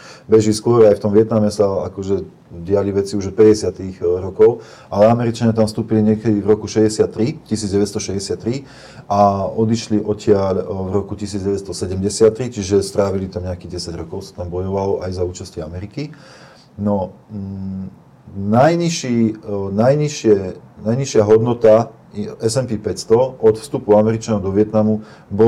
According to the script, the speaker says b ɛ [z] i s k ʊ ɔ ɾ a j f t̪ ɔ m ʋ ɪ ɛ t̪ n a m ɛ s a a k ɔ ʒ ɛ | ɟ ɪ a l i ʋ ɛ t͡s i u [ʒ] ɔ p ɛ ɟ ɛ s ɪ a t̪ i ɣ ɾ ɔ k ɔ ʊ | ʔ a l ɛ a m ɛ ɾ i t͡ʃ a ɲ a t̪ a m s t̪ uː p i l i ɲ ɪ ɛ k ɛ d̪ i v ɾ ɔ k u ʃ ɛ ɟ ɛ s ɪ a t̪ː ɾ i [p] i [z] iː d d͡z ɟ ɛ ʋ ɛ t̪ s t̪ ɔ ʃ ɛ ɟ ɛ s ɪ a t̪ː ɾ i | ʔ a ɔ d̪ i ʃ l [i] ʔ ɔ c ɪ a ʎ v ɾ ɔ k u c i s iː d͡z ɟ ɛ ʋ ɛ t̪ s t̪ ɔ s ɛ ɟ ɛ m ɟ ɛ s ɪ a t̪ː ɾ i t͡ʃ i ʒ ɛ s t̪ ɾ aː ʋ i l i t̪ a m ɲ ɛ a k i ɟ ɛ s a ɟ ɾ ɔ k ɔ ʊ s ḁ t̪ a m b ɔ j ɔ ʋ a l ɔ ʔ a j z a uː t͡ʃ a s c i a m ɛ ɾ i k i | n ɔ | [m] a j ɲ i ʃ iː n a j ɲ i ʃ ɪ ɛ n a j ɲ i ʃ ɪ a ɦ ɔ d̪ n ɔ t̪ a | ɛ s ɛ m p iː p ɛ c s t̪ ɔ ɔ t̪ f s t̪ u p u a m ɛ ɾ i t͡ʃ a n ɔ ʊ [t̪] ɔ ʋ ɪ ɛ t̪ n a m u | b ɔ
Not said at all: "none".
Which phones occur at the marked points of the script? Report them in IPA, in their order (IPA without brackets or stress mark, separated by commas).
ʒ, ʒ, c, s, i, n, d̪